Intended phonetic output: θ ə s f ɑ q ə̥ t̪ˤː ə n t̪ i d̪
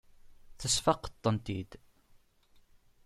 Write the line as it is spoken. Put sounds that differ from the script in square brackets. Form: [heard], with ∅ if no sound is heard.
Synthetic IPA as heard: θ ə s f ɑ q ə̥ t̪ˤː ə n t̪ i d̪